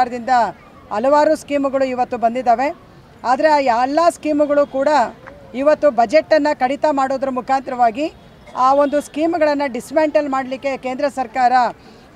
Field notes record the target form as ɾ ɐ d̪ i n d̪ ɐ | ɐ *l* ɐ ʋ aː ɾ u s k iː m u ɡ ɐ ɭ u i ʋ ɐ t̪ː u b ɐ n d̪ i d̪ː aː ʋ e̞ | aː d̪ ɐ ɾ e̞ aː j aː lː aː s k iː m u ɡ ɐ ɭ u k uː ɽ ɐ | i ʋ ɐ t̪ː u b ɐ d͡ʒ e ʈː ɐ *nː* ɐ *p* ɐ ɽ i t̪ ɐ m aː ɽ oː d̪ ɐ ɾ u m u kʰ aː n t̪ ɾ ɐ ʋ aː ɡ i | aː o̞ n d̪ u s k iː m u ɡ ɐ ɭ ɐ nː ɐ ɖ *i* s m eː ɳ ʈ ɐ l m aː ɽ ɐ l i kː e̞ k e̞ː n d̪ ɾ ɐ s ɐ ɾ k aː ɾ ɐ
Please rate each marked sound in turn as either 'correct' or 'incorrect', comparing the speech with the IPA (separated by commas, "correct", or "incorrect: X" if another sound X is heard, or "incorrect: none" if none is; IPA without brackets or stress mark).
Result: correct, correct, incorrect: k, correct